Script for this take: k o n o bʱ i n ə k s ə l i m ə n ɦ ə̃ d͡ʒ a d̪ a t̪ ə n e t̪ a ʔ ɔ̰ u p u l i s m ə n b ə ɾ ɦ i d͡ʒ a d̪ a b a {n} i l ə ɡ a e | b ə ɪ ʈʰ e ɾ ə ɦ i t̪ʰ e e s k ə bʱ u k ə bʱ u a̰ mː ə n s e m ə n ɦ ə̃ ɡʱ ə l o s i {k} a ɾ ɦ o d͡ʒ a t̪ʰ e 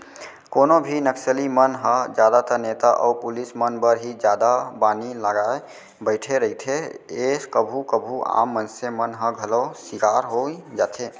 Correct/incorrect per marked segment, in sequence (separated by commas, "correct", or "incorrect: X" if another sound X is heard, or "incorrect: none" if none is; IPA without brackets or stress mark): correct, correct